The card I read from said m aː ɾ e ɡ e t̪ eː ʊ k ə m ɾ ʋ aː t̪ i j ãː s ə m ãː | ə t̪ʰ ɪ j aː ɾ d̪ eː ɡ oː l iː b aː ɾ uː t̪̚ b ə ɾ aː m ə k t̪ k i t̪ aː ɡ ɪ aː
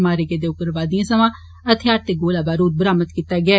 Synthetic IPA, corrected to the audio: m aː ɾ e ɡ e d̪ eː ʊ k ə ɾ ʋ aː d̪ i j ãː s ə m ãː | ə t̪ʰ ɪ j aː ɾ t̪ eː ɡ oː l aː b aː ɾ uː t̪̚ b ə ɾ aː m ə t̪ k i t̪ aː ɡ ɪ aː